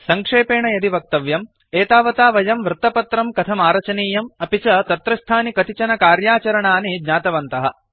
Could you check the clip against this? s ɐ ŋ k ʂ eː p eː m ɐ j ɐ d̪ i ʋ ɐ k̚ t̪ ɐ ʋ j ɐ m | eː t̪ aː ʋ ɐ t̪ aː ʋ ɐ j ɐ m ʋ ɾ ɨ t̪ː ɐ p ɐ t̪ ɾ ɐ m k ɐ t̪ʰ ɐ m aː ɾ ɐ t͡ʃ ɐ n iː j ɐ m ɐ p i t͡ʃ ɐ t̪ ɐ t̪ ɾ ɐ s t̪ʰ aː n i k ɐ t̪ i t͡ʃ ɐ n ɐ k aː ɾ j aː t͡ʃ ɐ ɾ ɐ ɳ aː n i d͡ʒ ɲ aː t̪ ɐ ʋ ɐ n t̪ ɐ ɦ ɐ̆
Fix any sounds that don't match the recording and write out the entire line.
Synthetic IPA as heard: s ɐ ŋ k ʂ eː p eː ɳ ɐ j ɐ d̪ i ʋ ɐ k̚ t̪ ɐ ʋ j ɐ m | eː t̪ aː ʋ ɐ t̪ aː ʋ ɐ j ɐ m ʋ ɾ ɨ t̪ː ɐ p ɐ t̪ ɾ ɐ m k ɐ t̪ʰ ɐ m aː ɾ ɐ t͡ʃ ɐ n iː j ɐ m ɐ p i t͡ʃ ɐ t̪ ɐ t̪ ɾ ɐ s t̪ʰ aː n i k ɐ t̪ i t͡ʃ ɐ n ɐ k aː ɾ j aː t͡ʃ ɐ ɾ ɐ ɳ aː n i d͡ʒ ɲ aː t̪ ɐ ʋ ɐ n t̪ ɐ ɦ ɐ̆